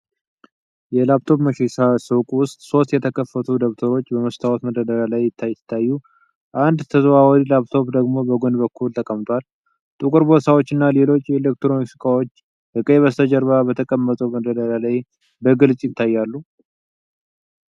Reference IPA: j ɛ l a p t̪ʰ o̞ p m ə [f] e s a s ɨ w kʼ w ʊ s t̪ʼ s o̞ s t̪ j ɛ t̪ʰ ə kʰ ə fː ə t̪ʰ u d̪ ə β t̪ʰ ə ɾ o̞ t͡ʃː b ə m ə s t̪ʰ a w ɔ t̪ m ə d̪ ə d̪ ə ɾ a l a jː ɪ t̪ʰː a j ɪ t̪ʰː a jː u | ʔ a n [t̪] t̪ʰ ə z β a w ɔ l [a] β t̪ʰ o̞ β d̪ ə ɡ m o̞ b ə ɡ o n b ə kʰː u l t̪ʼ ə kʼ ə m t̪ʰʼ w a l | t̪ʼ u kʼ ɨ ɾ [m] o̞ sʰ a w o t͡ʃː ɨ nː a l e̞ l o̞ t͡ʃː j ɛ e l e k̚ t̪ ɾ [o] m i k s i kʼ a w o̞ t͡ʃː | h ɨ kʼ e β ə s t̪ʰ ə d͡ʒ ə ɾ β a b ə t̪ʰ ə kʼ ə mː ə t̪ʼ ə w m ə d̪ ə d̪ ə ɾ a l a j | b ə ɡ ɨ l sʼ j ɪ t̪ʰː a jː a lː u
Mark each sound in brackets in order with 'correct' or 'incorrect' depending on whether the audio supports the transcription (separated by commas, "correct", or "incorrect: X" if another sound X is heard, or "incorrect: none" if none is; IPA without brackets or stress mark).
incorrect: ʃ, incorrect: d̪, correct, incorrect: b, correct